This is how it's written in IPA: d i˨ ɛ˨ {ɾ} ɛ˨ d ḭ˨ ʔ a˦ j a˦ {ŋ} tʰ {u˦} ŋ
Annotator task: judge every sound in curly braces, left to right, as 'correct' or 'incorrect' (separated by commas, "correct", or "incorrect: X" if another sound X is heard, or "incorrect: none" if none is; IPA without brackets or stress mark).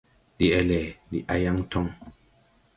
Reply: incorrect: l, correct, incorrect: ɔ˦